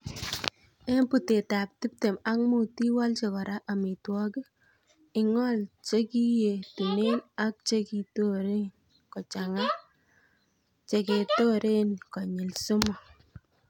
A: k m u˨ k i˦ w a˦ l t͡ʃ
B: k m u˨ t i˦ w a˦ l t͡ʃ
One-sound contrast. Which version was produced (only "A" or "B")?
B